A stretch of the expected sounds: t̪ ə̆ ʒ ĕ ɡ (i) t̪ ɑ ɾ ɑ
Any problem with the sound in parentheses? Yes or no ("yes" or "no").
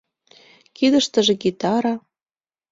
no